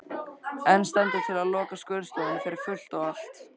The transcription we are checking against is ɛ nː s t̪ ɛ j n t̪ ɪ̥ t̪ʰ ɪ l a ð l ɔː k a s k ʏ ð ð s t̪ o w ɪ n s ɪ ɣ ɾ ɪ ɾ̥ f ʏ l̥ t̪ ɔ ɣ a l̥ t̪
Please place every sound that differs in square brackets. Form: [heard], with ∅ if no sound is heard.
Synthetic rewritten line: ɛ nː s t̪ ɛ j n t̪ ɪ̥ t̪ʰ ɪ l a ð l ɔː k a s k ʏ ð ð s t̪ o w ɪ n [f] ɪ [∅] ɾ ɪ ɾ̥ f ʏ l̥ t̪ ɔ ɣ a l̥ t̪